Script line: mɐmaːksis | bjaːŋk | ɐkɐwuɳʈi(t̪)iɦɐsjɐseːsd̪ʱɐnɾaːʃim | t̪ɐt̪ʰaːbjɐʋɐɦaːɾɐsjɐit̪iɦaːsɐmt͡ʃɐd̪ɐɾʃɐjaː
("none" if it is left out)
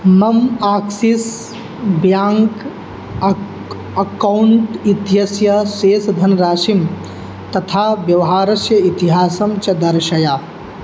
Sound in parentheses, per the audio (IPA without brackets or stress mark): t̪